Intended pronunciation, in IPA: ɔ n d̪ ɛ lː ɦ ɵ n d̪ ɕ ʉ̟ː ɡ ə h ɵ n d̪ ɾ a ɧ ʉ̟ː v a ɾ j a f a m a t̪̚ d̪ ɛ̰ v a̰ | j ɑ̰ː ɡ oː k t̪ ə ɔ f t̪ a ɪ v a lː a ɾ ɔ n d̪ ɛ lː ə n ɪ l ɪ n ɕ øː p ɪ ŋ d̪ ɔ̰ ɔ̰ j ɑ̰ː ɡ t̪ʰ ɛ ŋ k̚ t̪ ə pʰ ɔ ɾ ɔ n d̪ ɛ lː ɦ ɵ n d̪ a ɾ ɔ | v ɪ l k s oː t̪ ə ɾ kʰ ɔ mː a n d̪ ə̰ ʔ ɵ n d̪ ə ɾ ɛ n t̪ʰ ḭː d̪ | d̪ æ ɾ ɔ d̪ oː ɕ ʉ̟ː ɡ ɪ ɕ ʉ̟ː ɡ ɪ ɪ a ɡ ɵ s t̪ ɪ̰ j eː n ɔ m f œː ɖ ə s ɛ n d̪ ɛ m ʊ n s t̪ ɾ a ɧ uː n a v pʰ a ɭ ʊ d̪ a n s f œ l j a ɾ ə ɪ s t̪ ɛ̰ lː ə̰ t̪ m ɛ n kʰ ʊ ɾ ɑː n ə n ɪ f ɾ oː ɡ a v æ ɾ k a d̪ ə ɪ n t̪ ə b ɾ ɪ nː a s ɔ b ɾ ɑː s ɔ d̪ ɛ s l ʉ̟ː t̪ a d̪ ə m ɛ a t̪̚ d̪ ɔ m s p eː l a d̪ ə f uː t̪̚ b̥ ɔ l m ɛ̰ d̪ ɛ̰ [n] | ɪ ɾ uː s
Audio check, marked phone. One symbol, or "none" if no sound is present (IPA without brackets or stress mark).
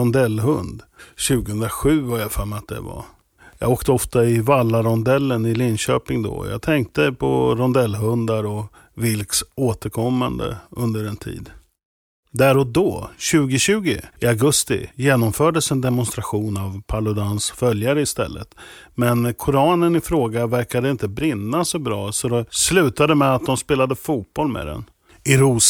n